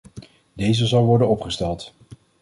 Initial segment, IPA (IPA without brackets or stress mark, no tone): d